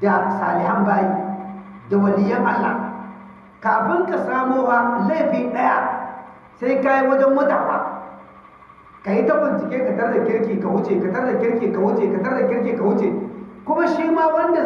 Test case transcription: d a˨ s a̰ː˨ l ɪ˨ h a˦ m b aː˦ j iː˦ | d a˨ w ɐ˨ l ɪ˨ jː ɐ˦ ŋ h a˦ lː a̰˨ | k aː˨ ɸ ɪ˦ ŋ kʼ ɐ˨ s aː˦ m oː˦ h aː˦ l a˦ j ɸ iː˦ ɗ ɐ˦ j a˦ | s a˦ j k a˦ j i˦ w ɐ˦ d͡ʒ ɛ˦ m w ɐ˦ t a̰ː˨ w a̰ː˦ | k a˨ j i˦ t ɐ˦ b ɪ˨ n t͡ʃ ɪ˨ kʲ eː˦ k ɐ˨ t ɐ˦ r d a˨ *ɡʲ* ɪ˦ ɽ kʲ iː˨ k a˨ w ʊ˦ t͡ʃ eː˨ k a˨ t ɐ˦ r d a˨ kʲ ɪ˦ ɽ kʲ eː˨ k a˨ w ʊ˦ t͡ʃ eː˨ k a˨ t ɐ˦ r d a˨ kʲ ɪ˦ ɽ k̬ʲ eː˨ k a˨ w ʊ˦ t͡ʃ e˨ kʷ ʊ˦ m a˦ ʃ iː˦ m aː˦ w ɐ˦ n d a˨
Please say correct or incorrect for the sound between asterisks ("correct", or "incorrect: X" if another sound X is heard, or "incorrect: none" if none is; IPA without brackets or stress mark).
incorrect: kʲ